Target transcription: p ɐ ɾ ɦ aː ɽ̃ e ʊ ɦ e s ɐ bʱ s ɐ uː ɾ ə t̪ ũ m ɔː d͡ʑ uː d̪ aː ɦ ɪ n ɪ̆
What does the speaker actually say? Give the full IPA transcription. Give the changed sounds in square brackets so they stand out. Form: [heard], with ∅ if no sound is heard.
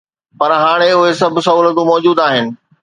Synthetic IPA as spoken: p ɐ ɾ ɦ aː ɽ̃ e ʊ ɦ e s ɐ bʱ s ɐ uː [l] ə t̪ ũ m ɔː d͡ʑ uː d̪ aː ɦ ɪ n ɪ̆